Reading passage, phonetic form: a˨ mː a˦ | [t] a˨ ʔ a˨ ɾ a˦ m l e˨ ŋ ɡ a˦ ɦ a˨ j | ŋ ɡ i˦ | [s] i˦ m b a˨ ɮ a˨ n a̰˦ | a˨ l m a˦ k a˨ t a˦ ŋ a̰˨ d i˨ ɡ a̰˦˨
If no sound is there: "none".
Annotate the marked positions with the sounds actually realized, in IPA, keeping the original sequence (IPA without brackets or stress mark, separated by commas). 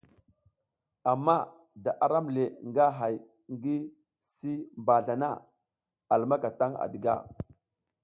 d, s